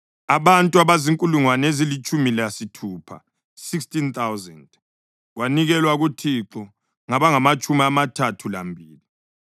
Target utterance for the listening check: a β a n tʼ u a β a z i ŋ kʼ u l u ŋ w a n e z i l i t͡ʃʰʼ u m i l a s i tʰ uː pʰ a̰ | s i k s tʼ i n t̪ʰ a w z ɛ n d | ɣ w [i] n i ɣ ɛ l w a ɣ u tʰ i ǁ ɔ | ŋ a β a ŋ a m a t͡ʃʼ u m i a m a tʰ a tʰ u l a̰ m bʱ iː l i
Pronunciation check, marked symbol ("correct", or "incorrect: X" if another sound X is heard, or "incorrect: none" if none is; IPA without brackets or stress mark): incorrect: a